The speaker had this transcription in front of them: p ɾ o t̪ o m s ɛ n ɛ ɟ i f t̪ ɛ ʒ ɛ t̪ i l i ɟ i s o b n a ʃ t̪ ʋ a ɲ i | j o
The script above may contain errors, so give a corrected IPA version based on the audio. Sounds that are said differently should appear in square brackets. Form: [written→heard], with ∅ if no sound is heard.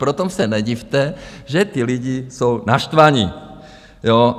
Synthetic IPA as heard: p ɾ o t̪ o m s ɛ n ɛ ɟ i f t̪ ɛ ʒ ɛ t̪ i l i ɟ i s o [b→w] n a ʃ t̪ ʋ a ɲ i | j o